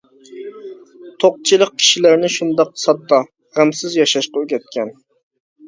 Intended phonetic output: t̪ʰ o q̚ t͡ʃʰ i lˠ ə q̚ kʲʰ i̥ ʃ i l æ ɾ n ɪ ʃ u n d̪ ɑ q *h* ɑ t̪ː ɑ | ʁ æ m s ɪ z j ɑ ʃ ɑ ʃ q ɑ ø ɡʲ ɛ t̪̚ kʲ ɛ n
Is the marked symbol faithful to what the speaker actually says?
no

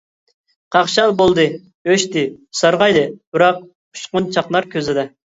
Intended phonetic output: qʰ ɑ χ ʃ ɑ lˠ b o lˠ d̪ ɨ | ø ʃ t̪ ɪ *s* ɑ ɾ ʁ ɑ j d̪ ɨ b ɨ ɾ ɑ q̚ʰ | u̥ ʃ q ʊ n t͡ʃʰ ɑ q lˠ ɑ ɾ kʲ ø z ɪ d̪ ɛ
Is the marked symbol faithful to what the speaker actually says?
yes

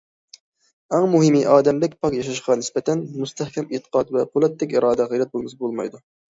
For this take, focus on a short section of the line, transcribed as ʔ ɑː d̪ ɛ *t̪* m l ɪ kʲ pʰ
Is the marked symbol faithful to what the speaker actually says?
no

